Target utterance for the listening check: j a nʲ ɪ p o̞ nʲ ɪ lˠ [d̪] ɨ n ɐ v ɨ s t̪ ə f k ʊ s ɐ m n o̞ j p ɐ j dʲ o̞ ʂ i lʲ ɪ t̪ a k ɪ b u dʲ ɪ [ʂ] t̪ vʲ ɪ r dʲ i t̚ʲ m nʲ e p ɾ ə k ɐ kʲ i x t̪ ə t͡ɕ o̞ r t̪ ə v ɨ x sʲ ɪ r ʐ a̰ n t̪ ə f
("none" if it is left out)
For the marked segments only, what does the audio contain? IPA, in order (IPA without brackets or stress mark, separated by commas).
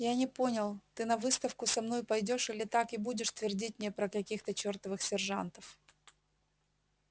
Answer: t̪, ʂ